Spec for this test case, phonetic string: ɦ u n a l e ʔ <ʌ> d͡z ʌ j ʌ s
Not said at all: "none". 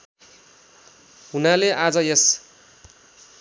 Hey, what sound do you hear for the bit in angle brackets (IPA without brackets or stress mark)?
a